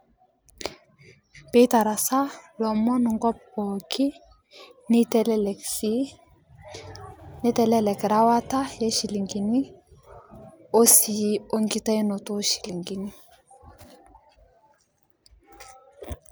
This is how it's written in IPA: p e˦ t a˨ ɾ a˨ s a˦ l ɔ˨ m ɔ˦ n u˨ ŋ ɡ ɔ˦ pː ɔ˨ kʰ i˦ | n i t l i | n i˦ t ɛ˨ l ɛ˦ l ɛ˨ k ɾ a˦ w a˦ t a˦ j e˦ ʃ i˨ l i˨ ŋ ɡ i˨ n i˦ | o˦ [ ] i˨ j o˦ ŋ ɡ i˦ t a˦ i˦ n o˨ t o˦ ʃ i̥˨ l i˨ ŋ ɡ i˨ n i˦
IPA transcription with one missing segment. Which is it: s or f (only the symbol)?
s